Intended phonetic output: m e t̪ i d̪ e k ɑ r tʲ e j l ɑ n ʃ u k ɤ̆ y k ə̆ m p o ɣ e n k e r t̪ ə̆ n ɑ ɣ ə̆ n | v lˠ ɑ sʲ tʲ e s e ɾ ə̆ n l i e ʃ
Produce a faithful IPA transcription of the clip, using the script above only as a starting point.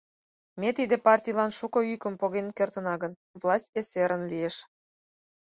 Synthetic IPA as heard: m e t̪ i d̪ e p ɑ r tʲ i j l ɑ n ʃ u k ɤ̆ y k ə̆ m p o ɣ e n k e r t̪ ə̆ n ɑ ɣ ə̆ n | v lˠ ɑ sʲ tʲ e s e ɾ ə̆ n l i e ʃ